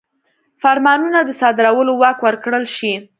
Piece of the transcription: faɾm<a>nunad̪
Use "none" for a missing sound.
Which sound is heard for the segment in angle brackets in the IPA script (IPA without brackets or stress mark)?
ɑ